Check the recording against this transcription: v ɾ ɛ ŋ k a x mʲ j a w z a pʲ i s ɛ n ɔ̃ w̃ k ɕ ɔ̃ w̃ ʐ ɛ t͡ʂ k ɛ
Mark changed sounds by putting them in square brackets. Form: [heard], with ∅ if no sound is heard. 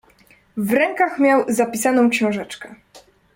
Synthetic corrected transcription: v ɾ ɛ ŋ k a x mʲ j a w z a pʲ i s [a] n ɔ̃ w̃ k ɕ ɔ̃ w̃ ʐ ɛ t͡ʂ k ɛ